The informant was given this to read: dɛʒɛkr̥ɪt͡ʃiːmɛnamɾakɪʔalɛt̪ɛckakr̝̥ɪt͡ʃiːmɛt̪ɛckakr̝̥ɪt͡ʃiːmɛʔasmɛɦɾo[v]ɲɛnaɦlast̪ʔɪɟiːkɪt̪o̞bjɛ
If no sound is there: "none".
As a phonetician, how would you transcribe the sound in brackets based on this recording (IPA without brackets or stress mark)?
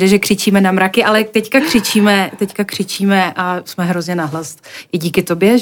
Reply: z